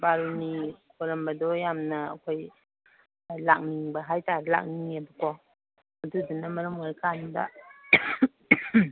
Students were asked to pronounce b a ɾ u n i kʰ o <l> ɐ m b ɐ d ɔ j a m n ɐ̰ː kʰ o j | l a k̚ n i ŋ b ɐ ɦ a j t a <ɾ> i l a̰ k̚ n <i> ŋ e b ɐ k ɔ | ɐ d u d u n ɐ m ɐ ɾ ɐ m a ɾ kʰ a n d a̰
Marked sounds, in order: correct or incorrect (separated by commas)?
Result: incorrect, correct, correct